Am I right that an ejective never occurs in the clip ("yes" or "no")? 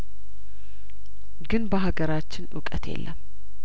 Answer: no